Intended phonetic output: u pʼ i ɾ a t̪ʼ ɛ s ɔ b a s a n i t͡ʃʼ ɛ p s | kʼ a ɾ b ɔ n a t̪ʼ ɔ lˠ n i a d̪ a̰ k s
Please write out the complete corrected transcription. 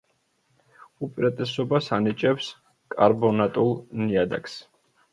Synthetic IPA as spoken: u pʼ i ɾ a t̪ʼ ɛ s ɔ b a s a n i t͡ʃʼ ɛ p s | kʼ a ɾ b ɔ n a t̪ʼ u lˠ n i a d̪ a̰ k s